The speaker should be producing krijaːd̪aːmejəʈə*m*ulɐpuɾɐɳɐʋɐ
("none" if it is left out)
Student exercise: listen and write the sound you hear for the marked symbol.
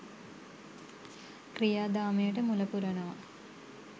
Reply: m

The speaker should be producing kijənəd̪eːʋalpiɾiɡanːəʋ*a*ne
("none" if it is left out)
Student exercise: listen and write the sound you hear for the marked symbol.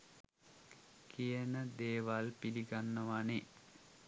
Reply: a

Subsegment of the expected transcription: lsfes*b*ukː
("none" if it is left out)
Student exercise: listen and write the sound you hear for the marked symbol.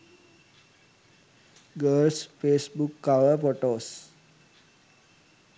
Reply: b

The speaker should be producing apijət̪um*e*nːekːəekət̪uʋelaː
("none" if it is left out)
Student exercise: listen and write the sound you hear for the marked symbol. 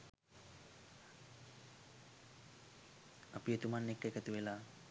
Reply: a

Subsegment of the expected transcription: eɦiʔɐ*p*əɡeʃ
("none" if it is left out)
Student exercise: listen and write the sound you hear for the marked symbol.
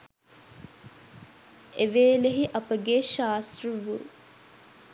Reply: p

